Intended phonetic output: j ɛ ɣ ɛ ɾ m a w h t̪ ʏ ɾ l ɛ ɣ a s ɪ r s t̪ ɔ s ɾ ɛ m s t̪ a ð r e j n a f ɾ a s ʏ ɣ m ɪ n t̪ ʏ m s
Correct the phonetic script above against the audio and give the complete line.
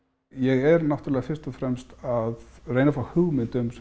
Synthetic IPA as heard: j ɛ ɣ ɛ ɾ n a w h t̪ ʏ ɾ l ɛ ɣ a f ɪ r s t̪ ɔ f ɾ ɛ m s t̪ a ð r e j n a f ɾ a h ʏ ɣ m ɪ n t̪ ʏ m s